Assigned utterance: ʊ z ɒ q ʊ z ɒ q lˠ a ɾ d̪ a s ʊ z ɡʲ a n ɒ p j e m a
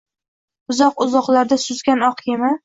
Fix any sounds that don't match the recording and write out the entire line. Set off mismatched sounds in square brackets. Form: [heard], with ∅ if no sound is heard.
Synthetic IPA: ʊ z ɒ q ʊ z ɒ q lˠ a ɾ d̪ a s ʊ z ɡʲ a n ɒ [q] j e m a